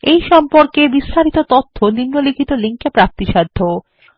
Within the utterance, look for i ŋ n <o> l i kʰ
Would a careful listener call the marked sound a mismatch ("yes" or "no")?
no